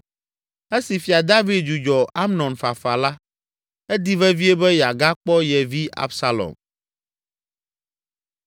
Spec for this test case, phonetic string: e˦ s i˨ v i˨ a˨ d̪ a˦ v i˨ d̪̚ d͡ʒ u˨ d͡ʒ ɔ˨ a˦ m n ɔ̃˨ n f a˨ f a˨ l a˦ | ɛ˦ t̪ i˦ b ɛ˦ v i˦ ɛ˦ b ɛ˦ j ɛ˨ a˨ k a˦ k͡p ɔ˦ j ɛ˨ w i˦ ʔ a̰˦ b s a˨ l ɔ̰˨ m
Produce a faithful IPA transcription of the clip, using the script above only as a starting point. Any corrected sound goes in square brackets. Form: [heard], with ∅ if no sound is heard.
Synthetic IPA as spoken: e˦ s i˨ [f] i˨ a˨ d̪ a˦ v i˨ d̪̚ d͡ʒ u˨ d͡ʒ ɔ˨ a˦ m n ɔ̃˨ n f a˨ f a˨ l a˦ | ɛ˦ [d̪] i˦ [v] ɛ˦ v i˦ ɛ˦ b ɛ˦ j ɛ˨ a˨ [ɡ] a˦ k͡p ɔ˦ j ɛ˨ [v] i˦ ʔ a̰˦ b s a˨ l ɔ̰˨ m

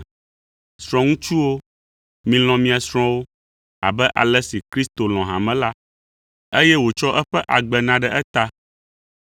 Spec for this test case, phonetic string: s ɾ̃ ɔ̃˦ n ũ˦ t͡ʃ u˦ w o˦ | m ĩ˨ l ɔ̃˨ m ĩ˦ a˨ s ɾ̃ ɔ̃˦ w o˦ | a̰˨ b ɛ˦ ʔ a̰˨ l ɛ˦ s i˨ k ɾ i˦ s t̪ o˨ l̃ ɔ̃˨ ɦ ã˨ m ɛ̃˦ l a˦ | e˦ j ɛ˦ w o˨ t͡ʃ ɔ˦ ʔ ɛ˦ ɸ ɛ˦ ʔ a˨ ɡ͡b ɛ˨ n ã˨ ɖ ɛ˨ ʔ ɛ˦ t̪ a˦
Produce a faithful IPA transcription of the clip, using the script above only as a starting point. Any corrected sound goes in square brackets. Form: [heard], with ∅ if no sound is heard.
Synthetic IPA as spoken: s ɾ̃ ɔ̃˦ [ŋ] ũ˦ t͡ʃ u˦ w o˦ | m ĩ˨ l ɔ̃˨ m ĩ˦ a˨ s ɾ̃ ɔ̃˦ w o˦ | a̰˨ b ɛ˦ ʔ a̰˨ l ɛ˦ s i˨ k ɾ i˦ s t̪ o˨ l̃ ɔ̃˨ ɦ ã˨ m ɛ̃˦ l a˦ | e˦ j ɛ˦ w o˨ t͡ʃ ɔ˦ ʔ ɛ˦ ɸ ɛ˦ ʔ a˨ ɡ͡b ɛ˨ n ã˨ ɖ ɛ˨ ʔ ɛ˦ t̪ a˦

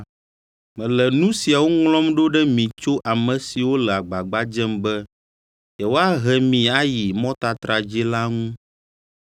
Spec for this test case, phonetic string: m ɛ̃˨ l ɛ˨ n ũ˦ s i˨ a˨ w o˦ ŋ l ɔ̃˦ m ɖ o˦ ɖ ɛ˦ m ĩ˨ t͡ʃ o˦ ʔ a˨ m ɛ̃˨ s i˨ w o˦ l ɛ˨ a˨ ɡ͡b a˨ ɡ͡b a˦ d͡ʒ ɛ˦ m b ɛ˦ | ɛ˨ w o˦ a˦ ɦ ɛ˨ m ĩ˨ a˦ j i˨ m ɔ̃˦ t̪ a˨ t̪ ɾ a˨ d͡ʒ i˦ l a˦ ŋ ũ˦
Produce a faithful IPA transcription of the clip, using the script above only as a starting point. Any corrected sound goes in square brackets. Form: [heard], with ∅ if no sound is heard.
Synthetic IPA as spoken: m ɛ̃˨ l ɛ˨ n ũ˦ s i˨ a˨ w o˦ ŋ l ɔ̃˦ m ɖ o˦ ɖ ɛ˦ m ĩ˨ t͡ʃ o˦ ʔ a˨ m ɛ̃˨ s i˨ w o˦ l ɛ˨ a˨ ɡ͡b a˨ ɡ͡b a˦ d͡ʒ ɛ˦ m b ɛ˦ | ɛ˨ w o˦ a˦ ɦ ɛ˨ m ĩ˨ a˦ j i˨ m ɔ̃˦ t̪ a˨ t̪ ɾ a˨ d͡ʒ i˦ l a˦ ŋ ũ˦

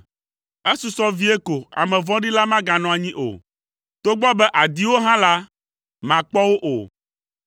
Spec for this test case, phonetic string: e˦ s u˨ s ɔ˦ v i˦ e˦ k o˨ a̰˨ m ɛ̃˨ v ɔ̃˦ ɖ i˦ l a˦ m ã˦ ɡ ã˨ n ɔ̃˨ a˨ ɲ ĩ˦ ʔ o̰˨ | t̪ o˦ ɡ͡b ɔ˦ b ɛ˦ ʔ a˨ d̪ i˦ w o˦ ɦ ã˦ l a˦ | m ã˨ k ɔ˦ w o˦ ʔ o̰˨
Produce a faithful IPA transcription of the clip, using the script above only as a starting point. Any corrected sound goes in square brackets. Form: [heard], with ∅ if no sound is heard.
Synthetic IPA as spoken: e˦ s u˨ s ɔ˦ v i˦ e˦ k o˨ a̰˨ m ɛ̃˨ v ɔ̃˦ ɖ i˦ l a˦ m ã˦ ɡ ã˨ n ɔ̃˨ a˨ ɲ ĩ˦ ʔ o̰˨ | t̪ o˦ ɡ͡b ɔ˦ b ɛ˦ ʔ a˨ d̪ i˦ w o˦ ɦ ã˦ l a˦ | m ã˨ [k͡p] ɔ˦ w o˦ ʔ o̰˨

